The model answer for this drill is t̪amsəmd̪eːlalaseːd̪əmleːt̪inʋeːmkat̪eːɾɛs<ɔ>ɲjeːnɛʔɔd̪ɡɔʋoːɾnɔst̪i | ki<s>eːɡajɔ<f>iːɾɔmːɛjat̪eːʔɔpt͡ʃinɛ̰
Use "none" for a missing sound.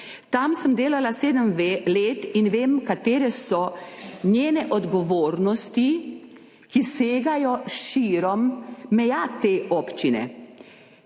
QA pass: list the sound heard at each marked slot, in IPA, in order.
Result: ɔ, s, ʃ

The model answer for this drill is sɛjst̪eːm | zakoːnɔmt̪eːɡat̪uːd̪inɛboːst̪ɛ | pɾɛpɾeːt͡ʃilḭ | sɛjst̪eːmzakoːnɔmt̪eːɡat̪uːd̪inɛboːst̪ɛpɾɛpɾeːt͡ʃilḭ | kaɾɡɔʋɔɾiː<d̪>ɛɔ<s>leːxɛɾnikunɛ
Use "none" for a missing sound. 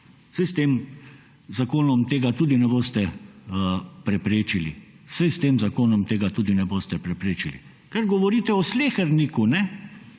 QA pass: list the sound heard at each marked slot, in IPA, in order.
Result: t̪, s

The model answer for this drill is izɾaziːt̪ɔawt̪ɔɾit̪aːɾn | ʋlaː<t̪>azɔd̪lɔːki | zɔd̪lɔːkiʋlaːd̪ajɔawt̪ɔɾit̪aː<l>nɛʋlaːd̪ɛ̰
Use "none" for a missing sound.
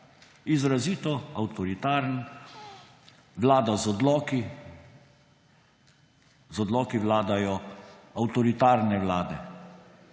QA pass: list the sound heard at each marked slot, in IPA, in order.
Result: d̪, ɾ

